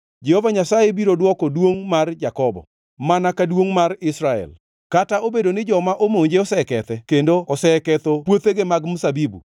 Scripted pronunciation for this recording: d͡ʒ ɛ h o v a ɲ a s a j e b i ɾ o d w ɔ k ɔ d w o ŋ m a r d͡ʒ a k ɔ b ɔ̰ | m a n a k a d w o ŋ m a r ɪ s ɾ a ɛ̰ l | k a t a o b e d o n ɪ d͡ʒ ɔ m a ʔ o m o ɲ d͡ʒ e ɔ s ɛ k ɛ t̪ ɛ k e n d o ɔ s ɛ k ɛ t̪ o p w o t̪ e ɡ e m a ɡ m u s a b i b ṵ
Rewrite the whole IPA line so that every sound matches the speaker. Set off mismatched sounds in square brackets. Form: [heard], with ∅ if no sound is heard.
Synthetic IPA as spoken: d͡ʒ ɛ h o v a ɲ a s a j e b i ɾ o d w ɔ k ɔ d w o ŋ m a r d͡ʒ a k ɔ b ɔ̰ | m a n a k a d w o ŋ m a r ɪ s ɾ a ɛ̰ l | k a t a o b e d o n ɪ d͡ʒ ɔ m a ʔ o m o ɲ d͡ʒ e ɔ s ɛ k ɛ t̪ ɛ k e n d o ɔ s ɛ k ɛ t̪ o p w o t̪ e ɡ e m a ɡ m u s a b i b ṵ